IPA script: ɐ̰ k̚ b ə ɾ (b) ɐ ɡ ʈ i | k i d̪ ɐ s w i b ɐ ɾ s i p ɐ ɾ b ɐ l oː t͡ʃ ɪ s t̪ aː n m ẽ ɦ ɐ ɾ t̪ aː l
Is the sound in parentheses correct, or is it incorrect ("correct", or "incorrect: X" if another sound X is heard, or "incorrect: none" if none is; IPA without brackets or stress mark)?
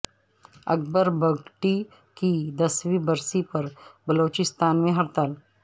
correct